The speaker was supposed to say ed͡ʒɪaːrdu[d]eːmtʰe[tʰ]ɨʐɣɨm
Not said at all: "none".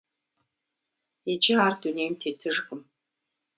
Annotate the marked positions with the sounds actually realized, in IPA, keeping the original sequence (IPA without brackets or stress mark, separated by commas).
n, tʰ